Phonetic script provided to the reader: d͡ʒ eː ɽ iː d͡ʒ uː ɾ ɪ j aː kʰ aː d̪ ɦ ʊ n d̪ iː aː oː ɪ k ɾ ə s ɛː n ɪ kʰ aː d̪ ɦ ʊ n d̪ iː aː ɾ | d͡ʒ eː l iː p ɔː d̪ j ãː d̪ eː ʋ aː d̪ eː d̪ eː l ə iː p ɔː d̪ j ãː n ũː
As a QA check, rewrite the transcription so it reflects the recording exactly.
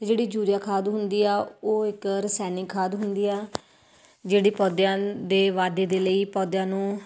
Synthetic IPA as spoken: d͡ʒ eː ɽ iː d͡ʒ uː ɾ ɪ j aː kʰ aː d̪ ɦ ʊ n d̪ iː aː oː ɪ k ɾ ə s ɛː n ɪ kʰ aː d̪ ɦ ʊ n d̪ iː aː | d͡ʒ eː ɽ iː p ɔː d̪ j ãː d̪ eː ʋ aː d̪ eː d̪ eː l ə iː p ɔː d̪ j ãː n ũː